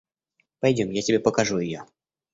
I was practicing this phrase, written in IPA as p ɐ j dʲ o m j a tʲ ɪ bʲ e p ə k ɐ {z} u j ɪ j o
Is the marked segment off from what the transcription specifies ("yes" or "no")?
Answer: yes